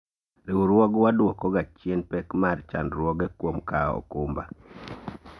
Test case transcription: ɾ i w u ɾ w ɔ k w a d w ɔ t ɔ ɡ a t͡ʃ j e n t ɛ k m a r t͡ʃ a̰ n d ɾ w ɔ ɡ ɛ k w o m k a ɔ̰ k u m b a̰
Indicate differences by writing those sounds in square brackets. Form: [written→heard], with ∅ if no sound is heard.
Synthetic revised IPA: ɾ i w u ɾ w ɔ [k→ɡ] w a d w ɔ [t→k] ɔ ɡ a t͡ʃ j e n [t→p] ɛ k m a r t͡ʃ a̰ n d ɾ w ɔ ɡ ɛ k w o m k a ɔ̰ k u m b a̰